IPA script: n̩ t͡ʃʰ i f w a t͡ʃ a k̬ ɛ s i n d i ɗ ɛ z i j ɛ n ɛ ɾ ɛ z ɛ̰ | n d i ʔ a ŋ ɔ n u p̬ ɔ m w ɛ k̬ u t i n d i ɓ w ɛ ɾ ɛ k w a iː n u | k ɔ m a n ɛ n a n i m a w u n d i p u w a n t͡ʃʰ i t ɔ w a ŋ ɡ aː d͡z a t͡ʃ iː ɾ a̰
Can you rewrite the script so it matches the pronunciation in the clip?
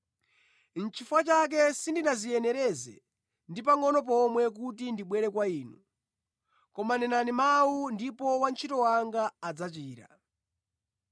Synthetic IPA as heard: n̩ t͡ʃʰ i f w a t͡ʃ a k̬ ɛ s i n d i ɗ a z i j ɛ n ɛ ɾ ɛ z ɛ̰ | n d i p a ŋ ɔ n ɔ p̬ ɔ m w ɛ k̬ u t i n d i ɓ w ɛ ɾ ɛ k w a iː n u | k ɔ m a n ɛ n a n i m a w u n d i p ɔ w a n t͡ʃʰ i t ɔ w a ŋ ɡ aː d͡z a t͡ʃ iː ɾ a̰